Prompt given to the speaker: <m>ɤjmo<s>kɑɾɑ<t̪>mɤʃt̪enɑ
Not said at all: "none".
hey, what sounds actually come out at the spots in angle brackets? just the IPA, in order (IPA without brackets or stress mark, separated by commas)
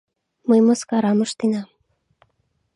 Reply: m, s, none